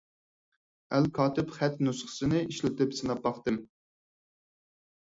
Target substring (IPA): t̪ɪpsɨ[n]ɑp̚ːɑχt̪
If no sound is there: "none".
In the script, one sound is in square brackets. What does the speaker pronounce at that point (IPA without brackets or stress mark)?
n